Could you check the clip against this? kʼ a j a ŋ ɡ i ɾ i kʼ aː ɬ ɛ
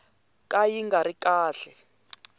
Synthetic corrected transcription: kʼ a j i ŋ ɡ a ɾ i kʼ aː ɬ ɛ